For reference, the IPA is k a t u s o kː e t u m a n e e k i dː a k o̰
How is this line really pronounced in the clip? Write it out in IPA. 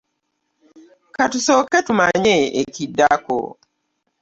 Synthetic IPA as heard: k a t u s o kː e t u m a ɲ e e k i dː a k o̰